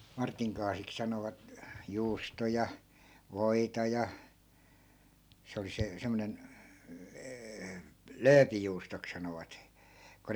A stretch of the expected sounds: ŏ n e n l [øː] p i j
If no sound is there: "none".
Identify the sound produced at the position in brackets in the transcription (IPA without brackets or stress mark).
øː